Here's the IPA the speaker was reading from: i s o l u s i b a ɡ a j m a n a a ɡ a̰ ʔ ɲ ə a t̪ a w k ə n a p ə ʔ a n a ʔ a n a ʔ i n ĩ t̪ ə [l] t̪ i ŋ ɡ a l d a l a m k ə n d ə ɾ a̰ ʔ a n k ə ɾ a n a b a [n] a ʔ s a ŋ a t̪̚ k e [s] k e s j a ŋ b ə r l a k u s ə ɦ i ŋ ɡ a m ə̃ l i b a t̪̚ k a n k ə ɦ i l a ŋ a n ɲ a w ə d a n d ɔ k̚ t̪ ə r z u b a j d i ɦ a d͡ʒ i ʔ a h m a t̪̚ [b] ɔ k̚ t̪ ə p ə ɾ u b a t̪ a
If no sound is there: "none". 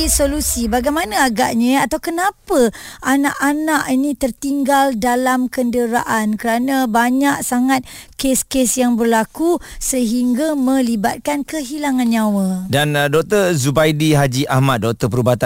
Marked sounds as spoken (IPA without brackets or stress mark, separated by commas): r, ɲ, s, d